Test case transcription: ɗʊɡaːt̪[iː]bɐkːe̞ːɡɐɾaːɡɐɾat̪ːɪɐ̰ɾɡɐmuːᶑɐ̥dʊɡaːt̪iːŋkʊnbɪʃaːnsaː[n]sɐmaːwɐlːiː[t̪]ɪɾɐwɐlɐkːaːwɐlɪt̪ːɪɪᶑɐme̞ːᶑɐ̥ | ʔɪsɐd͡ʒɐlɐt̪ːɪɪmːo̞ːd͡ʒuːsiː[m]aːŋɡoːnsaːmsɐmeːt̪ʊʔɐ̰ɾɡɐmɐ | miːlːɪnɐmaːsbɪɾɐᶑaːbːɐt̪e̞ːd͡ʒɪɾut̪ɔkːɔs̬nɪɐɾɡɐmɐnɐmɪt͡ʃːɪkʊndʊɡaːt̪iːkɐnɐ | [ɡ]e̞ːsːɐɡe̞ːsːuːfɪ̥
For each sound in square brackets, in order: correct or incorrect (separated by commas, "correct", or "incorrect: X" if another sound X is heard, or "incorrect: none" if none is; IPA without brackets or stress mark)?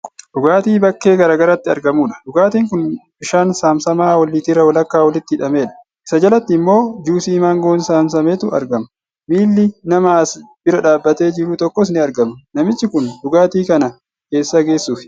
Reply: correct, incorrect: m, correct, correct, incorrect: k